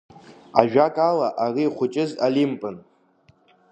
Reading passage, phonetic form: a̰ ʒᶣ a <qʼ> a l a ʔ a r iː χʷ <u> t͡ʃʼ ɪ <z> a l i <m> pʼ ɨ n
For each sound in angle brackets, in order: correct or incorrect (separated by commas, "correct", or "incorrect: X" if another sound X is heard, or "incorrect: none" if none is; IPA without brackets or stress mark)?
incorrect: kʼ, incorrect: ʊ, correct, correct